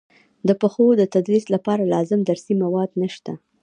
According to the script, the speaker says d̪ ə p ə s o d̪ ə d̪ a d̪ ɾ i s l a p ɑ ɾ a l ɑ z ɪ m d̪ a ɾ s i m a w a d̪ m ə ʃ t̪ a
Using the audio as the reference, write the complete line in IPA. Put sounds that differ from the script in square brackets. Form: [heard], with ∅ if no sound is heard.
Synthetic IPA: d̪ ə p ə [x] o d̪ ə [t̪] a d̪ ɾ i s l a p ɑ ɾ a l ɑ z ɪ m d̪ a ɾ s i m a w [ɑ] d̪ [n] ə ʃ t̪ a